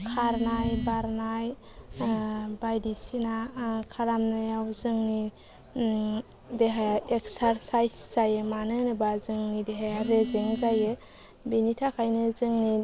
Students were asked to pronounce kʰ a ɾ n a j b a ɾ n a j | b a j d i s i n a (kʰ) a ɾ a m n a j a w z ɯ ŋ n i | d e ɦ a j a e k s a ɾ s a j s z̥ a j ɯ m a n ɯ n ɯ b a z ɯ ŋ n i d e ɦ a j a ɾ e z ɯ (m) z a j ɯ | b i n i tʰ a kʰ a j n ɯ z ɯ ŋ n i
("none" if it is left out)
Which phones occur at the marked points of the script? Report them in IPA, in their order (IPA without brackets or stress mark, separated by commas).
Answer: kʰ, ŋ